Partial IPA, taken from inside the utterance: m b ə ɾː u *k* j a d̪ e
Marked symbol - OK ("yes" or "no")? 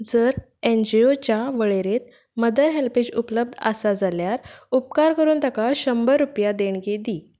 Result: no